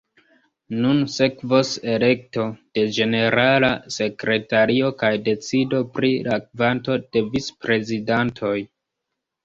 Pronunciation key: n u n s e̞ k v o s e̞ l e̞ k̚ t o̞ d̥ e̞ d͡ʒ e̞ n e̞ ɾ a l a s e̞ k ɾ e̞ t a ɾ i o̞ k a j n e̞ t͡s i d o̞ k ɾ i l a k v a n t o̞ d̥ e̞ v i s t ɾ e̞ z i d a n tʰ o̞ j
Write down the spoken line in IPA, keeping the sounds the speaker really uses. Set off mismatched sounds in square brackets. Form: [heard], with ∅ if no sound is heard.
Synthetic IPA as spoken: n u n s e̞ k v o s e̞ l e̞ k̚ t o̞ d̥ e̞ d͡ʒ e̞ n e̞ ɾ a l a s e̞ k ɾ e̞ t a ɾ i o̞ k a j [d] e̞ t͡s i d o̞ [p] ɾ i l a k v a n t o̞ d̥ e̞ v i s [p] ɾ e̞ z i d a n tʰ o̞ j

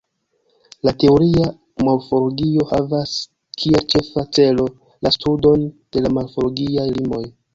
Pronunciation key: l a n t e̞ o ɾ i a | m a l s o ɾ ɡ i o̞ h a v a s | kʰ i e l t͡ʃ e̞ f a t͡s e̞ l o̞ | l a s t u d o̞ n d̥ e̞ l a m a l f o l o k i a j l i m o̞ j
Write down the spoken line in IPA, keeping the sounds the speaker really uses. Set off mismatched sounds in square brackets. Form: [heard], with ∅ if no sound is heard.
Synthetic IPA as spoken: l a [∅] t e̞ o ɾ i a | m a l [f] o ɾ ɡ i o̞ h a v a s | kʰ i e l t͡ʃ e̞ f a t͡s e̞ l o̞ | l a s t u d o̞ n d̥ e̞ l a m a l f o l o [ɡ] i a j l i m o̞ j

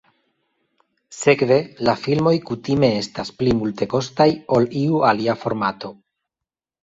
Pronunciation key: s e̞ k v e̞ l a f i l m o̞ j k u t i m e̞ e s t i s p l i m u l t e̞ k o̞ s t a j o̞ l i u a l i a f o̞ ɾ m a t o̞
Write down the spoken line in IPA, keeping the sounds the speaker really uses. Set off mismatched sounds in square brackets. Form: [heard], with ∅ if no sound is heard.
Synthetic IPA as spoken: s e̞ k v e̞ l a f i l m o̞ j k u t i m e̞ e s t [a] s p l i m u l t e̞ k o̞ s t a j o̞ l i u a l i a f o̞ ɾ m a t o̞

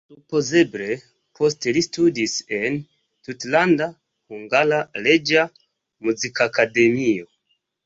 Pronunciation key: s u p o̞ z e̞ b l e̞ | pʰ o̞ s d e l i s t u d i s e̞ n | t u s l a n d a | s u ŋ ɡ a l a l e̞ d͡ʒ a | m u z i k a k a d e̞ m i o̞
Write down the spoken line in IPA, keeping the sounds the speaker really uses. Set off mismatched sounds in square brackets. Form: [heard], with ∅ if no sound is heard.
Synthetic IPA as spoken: s u p o̞ z e̞ b l e̞ | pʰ o̞ s [t] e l i s t u d i s e̞ n | t u [t] l a n d a | [h] u ŋ ɡ a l a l e̞ d͡ʒ a | m u z i k a k a d e̞ m i o̞

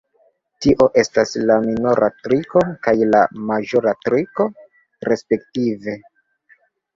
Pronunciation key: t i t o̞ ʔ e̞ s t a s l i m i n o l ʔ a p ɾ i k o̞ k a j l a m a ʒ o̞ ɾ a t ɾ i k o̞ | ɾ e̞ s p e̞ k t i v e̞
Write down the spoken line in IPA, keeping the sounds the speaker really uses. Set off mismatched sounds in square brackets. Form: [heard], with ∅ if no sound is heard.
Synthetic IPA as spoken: t i [ʔ] o̞ ʔ e̞ s t a s l [a] m i n o [ɾ] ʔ a [t] ɾ i k o̞ k a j l a m a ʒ o̞ ɾ a t ɾ i k o̞ | ɾ e̞ s p e̞ k t i v e̞

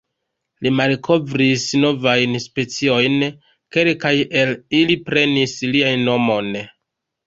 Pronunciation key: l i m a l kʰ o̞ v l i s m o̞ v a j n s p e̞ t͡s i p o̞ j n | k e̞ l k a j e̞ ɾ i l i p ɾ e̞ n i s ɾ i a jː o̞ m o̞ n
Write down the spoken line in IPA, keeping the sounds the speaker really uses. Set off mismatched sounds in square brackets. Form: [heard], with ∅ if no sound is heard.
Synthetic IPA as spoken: l i m a l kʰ o̞ v [ɾ] i s [n] o̞ v a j n s p e̞ t͡s i [∅] o̞ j n | k e̞ l k a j e̞ [l] i l i p ɾ e̞ n i s [l] i a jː o̞ m o̞ n

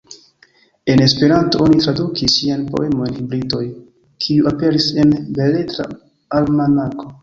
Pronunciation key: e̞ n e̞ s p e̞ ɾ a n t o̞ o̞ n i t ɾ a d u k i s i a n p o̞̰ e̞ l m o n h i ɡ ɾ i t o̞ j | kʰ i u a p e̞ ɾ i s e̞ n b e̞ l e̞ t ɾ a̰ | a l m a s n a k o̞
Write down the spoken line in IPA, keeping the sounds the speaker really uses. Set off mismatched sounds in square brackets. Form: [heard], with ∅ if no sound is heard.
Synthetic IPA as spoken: e̞ n e̞ s p e̞ ɾ a n t o̞ o̞ n i t ɾ a d u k i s i a n p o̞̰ e̞ [∅] m o n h i [b] ɾ i t o̞ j | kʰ i u a p e̞ ɾ i s e̞ n b e̞ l e̞ t ɾ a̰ | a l m a [∅] n a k o̞

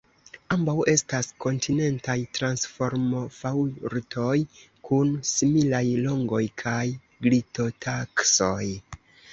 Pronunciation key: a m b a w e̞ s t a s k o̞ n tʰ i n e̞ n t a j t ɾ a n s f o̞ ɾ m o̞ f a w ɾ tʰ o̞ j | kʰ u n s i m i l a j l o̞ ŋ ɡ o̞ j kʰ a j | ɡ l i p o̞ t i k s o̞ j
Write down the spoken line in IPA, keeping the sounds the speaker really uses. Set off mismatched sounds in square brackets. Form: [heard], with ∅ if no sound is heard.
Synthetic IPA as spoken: a m b a w e̞ s t a s k o̞ n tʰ i n e̞ n t a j t ɾ a n s f o̞ ɾ m o̞ f a w ɾ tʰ o̞ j | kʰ u n s i m i l a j l o̞ ŋ ɡ o̞ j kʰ a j | ɡ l i [t] o̞ t [a] k s o̞ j

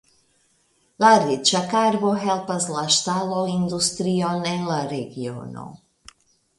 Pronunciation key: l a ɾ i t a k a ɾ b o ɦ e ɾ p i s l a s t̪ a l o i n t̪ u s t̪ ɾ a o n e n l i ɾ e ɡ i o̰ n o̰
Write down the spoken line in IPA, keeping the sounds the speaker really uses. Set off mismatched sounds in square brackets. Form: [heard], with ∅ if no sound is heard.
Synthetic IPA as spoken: l a ɾ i [t͡ʃ] a k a ɾ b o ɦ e [l] p [a] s l a [ʃ] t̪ a l o i n [d̪] u s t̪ ɾ [i] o n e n l [a] ɾ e ɡ i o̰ n o̰

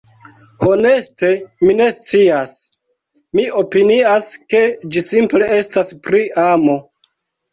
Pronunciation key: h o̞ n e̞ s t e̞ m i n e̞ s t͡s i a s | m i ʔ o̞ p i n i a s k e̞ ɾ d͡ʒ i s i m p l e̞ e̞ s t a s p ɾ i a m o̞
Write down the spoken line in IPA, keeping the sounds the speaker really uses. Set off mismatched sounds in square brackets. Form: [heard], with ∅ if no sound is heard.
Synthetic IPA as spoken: h o̞ n e̞ s t e̞ m i n e̞ s t͡s i a s | m i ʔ o̞ p i n i a s k e̞ [∅] d͡ʒ i s i m p l e̞ e̞ s t a s p ɾ i a m o̞

